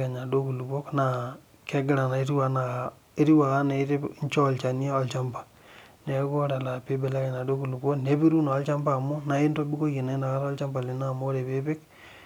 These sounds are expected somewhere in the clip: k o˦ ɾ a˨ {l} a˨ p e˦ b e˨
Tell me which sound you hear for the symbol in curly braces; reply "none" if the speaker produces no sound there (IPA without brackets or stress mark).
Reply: l